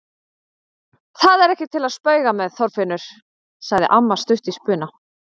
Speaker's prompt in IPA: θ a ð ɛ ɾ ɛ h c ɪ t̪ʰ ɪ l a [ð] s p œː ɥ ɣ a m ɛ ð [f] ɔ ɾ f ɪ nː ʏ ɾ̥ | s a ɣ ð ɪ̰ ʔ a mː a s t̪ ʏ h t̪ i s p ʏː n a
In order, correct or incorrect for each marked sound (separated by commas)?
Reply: correct, incorrect